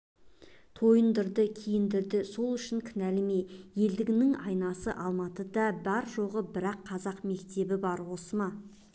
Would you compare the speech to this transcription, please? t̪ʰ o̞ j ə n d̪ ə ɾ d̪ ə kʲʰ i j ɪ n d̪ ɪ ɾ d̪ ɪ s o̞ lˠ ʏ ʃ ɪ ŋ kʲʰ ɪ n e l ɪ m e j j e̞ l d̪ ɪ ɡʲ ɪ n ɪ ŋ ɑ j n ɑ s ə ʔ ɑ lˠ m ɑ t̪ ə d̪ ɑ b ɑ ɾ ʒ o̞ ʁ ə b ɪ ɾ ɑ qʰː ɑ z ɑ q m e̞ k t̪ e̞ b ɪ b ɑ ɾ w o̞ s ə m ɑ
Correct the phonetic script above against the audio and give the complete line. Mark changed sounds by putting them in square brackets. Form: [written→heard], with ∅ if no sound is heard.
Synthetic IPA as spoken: t̪ʰ o̞ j ə n d̪ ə ɾ d̪ ə kʲʰ i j ɪ n d̪ ɪ ɾ d̪ ɪ s o̞ lˠ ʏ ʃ ɪ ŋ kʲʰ ɪ n [e→æ] l ɪ m e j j e̞ l d̪ ɪ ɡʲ ɪ n ɪ ŋ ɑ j n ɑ s ə ʔ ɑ lˠ m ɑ t̪ ə d̪ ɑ b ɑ ɾ ʒ o̞ ʁ ə b ɪ ɾ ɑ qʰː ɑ z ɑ q m e̞ k t̪ e̞ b ɪ b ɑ ɾ w o̞ s ə m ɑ